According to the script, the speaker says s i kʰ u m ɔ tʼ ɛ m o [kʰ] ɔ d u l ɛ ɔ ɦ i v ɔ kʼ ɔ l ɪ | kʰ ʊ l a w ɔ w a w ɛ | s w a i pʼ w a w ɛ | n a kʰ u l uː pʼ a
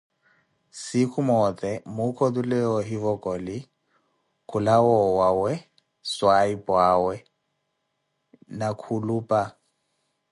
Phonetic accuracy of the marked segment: correct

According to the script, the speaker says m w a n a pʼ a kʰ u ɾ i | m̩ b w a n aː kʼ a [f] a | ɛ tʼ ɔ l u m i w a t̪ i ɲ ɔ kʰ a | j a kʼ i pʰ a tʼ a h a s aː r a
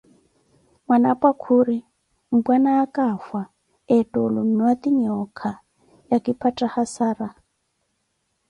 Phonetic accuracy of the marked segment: correct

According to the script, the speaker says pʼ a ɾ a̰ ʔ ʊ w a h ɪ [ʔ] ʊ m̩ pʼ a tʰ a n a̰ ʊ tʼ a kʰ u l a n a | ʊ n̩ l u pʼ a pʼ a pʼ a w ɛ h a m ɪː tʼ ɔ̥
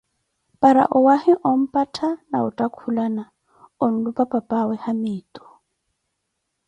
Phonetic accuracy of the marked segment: correct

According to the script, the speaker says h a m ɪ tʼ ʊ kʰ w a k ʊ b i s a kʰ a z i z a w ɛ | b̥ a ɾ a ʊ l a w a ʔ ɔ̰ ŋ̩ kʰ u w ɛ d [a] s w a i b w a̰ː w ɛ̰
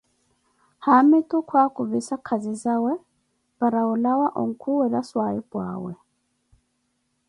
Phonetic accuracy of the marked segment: correct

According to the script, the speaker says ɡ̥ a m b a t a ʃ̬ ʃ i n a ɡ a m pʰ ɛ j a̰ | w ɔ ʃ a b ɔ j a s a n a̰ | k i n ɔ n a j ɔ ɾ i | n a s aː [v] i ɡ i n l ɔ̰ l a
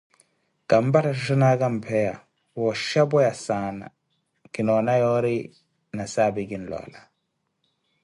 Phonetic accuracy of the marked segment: incorrect: b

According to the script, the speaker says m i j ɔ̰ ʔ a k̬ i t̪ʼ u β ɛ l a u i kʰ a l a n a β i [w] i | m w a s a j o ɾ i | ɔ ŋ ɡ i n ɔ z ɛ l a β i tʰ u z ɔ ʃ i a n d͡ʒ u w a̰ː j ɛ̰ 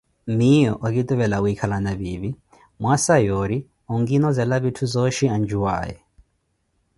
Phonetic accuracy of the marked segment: incorrect: β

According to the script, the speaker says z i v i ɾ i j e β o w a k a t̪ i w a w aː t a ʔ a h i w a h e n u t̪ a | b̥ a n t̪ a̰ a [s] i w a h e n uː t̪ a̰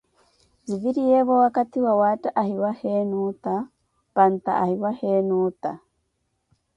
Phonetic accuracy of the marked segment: incorrect: h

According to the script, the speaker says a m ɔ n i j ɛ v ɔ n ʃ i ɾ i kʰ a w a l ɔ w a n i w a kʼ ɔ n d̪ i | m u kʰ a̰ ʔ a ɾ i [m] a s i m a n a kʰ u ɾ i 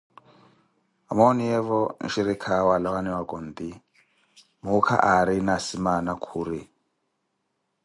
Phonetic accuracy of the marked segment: incorrect: n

